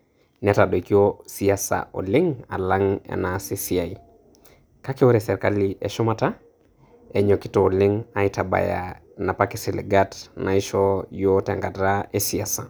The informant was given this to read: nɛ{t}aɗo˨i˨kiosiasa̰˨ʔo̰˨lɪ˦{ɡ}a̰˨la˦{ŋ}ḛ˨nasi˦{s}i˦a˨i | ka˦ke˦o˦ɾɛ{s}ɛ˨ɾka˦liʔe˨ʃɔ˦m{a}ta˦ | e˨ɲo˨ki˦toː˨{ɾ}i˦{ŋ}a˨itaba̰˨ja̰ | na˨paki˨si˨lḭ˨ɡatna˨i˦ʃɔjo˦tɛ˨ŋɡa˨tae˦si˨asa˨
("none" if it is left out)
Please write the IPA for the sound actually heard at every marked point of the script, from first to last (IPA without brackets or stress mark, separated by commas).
t, ŋ, ŋ, s, s, a, l, ŋ